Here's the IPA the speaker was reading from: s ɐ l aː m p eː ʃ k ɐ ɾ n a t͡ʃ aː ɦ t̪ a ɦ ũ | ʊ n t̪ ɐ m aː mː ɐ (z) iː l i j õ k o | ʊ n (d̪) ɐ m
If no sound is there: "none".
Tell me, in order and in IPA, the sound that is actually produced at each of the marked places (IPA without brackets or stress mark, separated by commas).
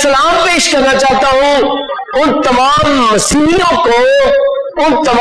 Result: s, t̪